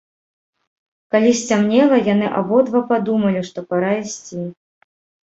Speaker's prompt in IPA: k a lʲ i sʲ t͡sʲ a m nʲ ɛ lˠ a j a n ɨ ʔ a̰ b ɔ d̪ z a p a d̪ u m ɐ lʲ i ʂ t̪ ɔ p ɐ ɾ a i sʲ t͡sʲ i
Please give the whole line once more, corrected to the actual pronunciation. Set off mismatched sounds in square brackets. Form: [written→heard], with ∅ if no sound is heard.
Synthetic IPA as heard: k a lʲ i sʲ t͡sʲ a m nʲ ɛ lˠ [a→ɐ] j a n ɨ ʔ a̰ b ɔ d̪ [z→v] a p a d̪ u m ɐ lʲ i ʂ t̪ ɔ p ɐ ɾ a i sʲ t͡sʲ i